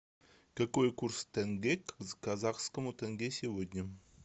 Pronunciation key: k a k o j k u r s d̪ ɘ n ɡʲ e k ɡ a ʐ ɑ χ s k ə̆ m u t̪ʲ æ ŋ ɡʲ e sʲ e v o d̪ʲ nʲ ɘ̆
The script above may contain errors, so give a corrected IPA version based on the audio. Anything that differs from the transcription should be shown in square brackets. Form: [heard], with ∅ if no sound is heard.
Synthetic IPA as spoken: k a k o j k u r s [t̪] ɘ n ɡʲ e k [k] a [z] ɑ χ s k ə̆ m u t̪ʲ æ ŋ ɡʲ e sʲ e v o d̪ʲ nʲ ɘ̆

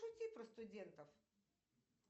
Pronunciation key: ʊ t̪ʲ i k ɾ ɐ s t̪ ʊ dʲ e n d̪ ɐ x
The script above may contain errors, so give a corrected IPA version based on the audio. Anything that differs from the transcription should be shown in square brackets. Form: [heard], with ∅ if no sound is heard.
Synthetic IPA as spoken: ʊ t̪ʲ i [p] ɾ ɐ s t̪ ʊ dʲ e n [t̪] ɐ [f]

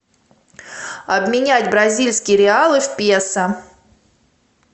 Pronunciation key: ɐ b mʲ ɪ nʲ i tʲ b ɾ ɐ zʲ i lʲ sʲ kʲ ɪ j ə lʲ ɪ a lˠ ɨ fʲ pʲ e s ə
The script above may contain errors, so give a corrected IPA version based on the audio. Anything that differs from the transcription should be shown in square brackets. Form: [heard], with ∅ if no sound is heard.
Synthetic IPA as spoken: ɐ b mʲ ɪ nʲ [æ] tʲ b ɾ ɐ zʲ i lʲ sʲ kʲ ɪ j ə [ɾʲ] ɪ a lˠ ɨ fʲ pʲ e s ə

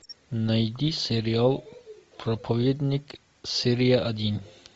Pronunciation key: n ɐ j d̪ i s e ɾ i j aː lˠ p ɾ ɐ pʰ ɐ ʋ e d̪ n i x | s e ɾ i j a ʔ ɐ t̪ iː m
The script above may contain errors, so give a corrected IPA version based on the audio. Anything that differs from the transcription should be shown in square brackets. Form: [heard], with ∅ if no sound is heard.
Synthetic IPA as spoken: n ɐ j d̪ i s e ɾ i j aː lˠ p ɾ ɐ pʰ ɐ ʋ e d̪ n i [k] | s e ɾ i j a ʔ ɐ [d̪] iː [n]

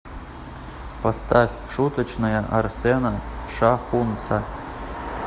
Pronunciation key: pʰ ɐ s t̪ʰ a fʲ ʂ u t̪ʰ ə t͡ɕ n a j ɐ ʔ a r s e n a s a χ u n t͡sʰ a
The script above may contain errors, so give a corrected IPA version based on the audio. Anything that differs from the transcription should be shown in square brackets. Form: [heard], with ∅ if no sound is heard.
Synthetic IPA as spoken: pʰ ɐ s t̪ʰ a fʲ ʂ u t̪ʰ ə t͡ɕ n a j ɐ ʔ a r s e n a [ʂ] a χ u n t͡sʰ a

